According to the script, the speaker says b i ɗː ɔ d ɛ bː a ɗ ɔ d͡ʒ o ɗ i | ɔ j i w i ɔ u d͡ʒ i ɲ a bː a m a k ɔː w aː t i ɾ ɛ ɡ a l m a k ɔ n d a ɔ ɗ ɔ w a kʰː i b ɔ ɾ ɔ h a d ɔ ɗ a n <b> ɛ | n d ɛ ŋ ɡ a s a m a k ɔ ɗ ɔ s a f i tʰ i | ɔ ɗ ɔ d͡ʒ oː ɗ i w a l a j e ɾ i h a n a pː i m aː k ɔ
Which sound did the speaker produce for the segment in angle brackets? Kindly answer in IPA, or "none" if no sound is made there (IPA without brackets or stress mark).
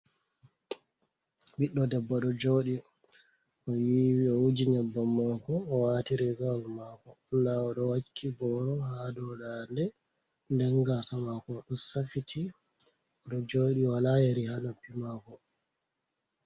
d